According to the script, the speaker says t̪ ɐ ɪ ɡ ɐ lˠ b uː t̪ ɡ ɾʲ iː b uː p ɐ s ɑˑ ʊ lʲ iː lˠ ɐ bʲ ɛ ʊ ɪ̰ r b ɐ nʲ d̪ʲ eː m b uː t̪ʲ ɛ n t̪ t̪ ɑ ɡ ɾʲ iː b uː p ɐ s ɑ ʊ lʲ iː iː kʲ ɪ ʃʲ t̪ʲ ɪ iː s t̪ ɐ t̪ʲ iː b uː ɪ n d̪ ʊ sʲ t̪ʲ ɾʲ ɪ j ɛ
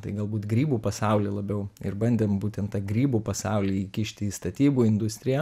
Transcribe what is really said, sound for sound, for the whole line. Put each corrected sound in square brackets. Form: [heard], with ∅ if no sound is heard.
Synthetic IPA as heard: t̪ ɐ ɪ ɡ ɐ lˠ b uː t̪ ɡ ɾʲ iː b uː p ɐ s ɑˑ ʊ lʲ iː lˠ ɐ bʲ ɛ ʊ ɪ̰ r b ɐ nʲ d̪ʲ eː m b uː t̪ʲ ɛ n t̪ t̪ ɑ ɡ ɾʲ iː b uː p ɐ s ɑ ʊ lʲ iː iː kʲ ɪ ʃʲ t̪ʲ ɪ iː s t̪ ɐ t̪ʲ iː b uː ɪ n d̪ ʊ sʲ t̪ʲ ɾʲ ɪ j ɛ